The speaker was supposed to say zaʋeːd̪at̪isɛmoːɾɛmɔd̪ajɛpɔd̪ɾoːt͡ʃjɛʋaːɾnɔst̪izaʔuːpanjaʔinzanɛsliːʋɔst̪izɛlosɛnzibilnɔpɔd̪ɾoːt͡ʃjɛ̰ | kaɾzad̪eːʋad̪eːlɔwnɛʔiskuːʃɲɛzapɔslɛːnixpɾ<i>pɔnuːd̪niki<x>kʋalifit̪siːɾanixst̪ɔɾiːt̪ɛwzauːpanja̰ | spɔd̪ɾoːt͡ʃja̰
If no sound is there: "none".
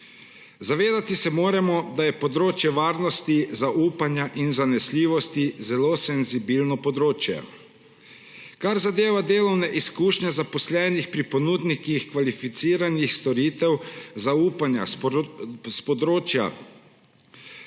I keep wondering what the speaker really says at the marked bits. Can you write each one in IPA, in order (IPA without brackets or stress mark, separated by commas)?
i, x